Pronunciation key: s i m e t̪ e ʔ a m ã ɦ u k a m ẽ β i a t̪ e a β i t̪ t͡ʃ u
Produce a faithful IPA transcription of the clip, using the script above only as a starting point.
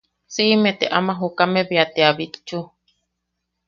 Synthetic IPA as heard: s i m e t̪ e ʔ a m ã ɦ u k a m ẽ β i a t̪ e a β i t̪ t͡ʃ u